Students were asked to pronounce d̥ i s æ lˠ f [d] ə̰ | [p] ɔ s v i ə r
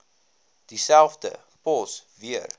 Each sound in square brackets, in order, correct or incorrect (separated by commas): correct, correct